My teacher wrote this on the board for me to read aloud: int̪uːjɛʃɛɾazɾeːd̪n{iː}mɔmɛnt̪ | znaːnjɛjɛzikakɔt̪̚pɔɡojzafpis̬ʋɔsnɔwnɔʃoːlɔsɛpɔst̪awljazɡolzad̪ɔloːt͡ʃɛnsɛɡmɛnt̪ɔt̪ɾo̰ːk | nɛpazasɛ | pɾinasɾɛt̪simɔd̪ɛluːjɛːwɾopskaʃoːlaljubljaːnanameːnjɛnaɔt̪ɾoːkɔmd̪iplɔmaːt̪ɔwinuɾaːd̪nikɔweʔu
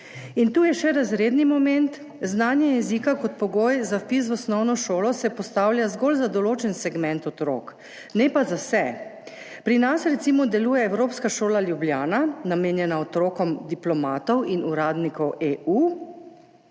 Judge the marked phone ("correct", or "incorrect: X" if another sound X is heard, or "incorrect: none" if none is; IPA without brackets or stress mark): incorrect: i